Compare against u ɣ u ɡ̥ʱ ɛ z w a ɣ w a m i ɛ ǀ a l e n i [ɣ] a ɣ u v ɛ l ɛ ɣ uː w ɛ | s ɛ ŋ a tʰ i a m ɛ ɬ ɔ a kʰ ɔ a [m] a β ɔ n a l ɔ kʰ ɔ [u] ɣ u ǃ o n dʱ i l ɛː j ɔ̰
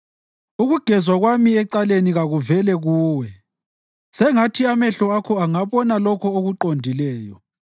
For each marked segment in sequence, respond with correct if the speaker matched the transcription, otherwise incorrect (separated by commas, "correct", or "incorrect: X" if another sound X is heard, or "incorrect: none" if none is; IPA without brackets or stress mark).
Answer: correct, incorrect: ŋ, incorrect: o